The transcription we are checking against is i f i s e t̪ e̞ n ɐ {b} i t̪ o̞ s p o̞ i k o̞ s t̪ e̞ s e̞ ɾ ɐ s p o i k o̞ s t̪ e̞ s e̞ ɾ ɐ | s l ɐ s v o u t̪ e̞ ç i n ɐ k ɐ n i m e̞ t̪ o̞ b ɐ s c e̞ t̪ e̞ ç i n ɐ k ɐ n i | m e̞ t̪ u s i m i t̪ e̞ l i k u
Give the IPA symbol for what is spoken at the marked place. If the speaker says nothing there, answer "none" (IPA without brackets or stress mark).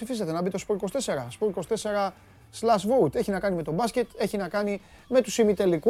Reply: b